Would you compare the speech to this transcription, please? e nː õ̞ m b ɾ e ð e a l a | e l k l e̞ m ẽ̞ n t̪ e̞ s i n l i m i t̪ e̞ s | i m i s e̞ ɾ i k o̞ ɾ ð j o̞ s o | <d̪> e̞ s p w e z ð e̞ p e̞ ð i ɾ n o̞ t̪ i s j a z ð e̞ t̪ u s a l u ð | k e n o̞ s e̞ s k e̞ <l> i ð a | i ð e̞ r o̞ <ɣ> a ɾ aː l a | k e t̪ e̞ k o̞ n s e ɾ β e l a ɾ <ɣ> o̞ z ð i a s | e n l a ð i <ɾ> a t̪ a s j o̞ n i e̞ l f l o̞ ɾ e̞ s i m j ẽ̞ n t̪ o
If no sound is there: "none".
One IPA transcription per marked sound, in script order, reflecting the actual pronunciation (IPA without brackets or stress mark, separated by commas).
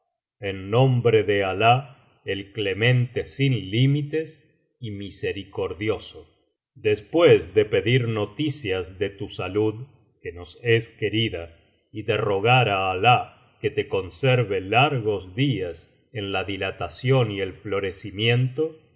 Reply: d̪, ɾ, ɣ, ɣ, l